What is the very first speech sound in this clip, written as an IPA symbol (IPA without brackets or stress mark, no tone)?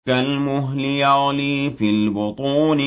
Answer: a